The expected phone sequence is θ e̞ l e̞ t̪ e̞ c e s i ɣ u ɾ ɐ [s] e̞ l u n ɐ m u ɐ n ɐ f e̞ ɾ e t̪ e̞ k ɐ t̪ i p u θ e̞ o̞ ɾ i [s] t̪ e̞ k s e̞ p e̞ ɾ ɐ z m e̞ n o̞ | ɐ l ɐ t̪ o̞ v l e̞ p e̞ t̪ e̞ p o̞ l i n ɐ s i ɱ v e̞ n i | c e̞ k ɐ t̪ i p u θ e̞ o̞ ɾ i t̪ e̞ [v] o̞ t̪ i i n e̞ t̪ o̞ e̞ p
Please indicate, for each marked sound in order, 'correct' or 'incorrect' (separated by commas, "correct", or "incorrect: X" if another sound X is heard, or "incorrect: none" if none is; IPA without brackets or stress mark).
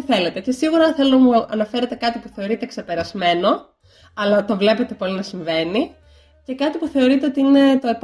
incorrect: θ, incorrect: none, incorrect: none